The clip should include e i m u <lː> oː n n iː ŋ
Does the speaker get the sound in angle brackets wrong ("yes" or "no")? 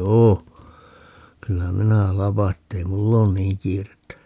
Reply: no